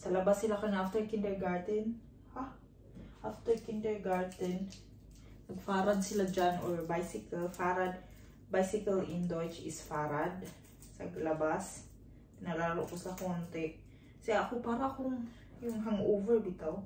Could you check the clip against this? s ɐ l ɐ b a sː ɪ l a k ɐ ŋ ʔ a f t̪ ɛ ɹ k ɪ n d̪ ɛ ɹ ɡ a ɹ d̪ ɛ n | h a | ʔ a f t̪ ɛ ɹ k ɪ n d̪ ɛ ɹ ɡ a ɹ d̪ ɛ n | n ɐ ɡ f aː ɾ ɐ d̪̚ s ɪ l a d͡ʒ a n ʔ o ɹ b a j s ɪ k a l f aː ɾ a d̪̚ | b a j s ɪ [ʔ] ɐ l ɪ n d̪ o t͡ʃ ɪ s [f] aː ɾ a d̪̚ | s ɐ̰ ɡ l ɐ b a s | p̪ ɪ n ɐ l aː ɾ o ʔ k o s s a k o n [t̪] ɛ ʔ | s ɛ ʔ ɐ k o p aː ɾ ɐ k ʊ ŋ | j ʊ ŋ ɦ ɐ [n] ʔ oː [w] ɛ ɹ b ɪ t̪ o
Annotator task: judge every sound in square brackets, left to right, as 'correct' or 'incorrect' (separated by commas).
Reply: incorrect, correct, correct, incorrect, incorrect